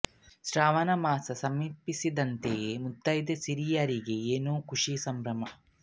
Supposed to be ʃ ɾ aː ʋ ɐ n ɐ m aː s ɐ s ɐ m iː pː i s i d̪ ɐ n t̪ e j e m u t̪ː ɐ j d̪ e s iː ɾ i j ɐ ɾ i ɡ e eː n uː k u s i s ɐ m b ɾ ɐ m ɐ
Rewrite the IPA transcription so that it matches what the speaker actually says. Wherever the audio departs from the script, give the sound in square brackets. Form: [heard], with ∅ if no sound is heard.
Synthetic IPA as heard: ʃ ɾ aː ʋ ɐ n ɐ m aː s ɐ s ɐ m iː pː i s i d̪ ɐ n t̪ e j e m u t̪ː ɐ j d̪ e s [i] ɾ i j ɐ ɾ i ɡ e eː n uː k u [ʂ] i s ɐ m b ɾ ɐ m ɐ